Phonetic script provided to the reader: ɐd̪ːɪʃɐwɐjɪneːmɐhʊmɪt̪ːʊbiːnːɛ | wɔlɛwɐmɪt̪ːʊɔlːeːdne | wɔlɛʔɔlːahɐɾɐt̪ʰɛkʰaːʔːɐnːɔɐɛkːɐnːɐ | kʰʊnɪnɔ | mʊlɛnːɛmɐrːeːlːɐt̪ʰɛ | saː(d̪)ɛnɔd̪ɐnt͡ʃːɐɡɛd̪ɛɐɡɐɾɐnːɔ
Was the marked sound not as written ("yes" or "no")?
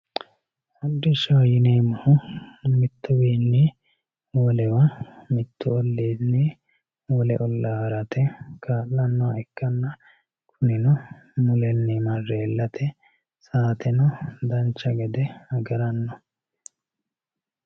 yes